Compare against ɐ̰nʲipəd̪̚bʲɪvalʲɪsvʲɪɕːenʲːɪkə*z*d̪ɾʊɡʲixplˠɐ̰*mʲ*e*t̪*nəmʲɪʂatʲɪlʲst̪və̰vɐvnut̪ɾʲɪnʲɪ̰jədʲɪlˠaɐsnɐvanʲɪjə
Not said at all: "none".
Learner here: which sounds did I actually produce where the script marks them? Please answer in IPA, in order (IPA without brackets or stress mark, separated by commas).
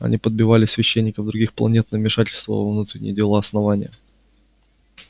v, nʲ, t̪